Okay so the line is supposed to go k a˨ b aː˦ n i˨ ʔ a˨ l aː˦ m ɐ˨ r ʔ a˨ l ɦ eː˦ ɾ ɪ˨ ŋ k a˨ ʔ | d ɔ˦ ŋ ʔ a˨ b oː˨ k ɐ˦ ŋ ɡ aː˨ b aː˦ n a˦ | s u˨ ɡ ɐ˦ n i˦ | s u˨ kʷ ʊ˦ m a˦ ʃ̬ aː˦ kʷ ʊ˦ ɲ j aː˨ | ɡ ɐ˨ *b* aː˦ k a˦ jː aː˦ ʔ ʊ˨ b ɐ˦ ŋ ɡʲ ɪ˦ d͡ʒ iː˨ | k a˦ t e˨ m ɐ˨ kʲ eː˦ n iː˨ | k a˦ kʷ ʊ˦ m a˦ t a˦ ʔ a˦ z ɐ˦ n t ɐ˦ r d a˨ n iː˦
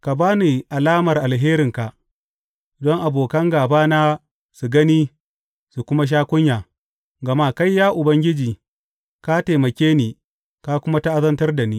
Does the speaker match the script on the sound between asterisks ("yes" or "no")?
no